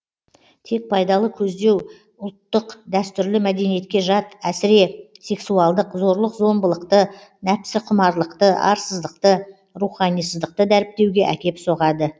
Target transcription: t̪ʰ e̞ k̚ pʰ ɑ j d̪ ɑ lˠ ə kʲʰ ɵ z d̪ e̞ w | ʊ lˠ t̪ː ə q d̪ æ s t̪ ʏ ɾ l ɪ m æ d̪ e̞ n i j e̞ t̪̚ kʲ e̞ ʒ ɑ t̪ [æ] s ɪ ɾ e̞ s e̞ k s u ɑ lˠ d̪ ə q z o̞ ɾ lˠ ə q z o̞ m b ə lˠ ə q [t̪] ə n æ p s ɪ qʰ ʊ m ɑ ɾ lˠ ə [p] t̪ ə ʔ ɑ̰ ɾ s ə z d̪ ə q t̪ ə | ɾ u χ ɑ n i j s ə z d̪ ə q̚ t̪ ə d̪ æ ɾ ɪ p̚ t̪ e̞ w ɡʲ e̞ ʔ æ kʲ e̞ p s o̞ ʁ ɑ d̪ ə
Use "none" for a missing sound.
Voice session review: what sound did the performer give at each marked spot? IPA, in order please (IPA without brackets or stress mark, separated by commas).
æ, t̪, q